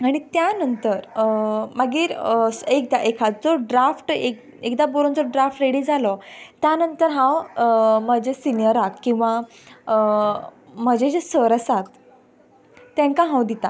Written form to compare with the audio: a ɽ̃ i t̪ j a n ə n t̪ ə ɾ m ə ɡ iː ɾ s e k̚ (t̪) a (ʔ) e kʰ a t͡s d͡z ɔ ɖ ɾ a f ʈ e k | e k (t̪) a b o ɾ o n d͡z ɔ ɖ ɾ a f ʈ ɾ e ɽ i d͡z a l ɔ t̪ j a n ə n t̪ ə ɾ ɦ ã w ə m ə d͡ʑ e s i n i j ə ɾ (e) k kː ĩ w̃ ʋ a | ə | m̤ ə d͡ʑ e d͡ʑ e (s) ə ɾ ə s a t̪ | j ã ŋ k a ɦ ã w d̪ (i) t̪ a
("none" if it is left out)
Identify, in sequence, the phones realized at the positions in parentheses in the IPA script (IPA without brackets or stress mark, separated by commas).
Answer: d̪, ʔ, d̪, a, s, i